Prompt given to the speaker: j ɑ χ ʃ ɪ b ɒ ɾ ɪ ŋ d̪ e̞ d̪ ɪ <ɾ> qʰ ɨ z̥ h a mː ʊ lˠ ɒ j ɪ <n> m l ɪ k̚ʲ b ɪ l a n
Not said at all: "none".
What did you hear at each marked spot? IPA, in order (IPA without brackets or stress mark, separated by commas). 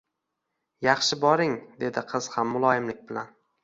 none, none